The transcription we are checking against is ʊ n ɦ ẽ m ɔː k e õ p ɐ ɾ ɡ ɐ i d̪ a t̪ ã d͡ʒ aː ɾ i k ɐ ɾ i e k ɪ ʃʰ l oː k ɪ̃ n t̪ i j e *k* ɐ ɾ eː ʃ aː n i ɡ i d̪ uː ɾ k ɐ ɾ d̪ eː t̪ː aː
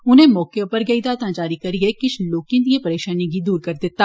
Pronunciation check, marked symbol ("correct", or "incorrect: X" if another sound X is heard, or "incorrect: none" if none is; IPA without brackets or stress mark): incorrect: p